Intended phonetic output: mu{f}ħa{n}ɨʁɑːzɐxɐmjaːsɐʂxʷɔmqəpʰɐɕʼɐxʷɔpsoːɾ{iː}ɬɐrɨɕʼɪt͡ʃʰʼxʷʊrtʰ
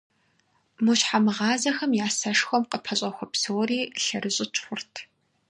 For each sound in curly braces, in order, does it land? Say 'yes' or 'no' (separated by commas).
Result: no, no, yes